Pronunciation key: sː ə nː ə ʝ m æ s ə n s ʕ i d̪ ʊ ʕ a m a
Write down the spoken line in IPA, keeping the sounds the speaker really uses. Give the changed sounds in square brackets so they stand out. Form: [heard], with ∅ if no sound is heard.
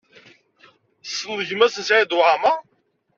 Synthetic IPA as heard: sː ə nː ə ʝ m æ s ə n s ʕ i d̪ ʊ ʕ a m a